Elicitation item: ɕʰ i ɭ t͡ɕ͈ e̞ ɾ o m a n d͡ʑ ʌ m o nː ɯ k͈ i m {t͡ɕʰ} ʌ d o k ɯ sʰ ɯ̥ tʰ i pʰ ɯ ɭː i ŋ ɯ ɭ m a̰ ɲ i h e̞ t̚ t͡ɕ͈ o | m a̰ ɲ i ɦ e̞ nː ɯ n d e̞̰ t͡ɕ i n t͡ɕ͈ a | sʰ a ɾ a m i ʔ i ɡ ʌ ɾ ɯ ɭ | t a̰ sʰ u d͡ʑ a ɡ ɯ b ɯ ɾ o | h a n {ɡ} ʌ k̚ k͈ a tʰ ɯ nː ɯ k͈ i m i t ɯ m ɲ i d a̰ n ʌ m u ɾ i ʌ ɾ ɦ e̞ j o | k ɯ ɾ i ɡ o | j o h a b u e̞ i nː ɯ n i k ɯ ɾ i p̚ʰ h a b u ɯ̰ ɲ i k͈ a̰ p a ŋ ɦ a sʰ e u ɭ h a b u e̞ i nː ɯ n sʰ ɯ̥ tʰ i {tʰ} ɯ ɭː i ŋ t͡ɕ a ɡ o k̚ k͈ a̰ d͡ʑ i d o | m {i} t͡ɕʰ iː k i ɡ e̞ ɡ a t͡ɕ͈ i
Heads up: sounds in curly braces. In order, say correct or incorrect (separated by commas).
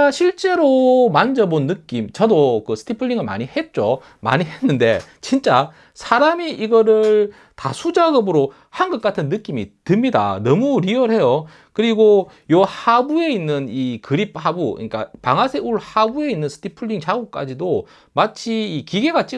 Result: incorrect, correct, incorrect, incorrect